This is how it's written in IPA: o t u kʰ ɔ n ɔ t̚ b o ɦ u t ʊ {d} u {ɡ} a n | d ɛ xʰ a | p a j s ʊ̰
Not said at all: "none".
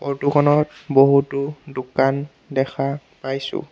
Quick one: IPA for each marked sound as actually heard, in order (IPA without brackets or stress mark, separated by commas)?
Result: d, k